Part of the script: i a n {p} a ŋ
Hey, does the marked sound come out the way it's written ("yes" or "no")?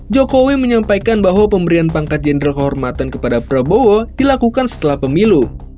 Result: yes